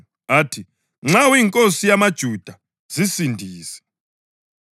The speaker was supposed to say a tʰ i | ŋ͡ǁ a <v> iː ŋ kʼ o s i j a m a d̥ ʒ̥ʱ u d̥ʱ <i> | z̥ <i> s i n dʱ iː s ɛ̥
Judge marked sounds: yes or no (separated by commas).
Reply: no, no, yes